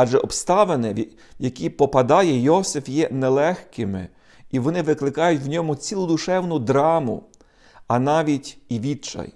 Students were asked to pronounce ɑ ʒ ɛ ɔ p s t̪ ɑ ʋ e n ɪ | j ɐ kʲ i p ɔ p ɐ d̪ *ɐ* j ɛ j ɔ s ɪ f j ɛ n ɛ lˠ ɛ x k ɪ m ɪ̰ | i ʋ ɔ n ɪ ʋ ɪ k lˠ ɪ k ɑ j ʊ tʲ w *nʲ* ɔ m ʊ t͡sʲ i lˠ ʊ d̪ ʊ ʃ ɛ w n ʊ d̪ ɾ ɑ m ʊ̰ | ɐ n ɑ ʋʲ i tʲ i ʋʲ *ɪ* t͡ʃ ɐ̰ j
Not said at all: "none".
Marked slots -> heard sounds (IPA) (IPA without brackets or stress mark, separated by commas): ɑ, nʲ, i